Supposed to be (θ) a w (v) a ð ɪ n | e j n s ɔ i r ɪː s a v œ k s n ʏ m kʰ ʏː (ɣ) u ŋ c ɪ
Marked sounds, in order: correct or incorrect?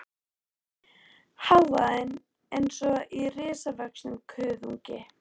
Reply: incorrect: h, correct, incorrect: ð

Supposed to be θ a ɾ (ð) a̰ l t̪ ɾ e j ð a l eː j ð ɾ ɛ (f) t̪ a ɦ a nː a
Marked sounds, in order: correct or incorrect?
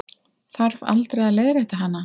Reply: incorrect: v, incorrect: h

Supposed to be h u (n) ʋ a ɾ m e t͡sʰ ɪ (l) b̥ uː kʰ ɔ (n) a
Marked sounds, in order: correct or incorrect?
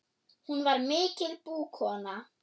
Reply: correct, correct, correct

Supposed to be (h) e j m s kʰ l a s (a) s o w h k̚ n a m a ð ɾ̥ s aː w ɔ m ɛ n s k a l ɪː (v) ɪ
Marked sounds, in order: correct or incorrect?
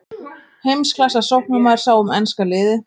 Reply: correct, correct, incorrect: ð

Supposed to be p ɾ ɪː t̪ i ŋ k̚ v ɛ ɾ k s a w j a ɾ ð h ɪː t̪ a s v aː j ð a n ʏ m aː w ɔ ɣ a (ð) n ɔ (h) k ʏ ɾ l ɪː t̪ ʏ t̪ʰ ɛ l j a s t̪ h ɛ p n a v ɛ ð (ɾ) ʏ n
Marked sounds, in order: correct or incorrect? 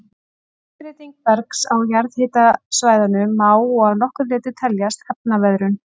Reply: correct, correct, correct

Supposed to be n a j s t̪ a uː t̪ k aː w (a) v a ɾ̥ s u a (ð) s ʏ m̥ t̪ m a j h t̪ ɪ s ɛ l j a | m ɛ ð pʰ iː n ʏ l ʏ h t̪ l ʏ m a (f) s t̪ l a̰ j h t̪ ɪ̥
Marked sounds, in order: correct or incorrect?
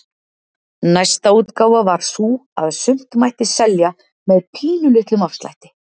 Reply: correct, correct, correct

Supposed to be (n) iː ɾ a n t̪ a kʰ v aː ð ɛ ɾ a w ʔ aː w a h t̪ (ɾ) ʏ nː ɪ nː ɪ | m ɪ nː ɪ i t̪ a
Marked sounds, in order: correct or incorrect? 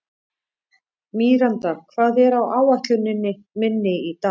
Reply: incorrect: m, incorrect: l

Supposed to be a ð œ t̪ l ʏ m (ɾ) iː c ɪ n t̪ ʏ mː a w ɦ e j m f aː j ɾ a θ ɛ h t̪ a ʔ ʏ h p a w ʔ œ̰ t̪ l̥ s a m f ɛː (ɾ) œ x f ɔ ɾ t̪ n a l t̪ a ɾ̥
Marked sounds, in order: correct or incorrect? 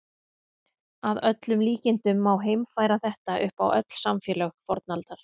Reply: incorrect: l, incorrect: l

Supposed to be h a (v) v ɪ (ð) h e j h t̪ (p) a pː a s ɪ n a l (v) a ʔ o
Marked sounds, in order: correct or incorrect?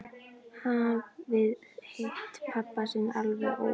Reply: correct, correct, incorrect: pʰ, correct

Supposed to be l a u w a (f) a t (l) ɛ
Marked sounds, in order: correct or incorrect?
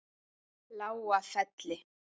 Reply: correct, correct

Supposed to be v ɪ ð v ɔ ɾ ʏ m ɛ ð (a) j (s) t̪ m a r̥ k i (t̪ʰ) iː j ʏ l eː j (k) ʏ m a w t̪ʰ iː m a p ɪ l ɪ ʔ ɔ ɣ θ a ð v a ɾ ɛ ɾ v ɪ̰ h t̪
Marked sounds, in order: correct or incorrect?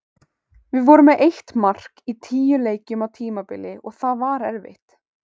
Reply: incorrect: e, incorrect: h, correct, incorrect: c

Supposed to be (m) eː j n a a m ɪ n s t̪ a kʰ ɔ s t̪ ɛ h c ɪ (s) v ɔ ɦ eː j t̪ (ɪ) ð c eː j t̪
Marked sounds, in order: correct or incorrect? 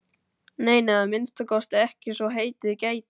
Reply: incorrect: n, correct, correct

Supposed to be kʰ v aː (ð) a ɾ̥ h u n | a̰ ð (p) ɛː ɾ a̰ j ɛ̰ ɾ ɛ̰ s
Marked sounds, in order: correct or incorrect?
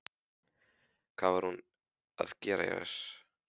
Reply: incorrect: v, incorrect: c

